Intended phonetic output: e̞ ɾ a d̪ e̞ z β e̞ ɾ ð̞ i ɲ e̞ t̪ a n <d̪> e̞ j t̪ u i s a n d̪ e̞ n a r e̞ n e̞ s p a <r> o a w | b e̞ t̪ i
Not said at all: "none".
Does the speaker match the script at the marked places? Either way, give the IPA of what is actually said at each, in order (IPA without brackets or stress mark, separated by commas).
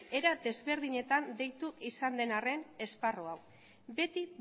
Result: d̪, r